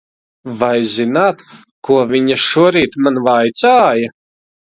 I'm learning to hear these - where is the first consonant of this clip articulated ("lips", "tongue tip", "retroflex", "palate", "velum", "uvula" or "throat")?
lips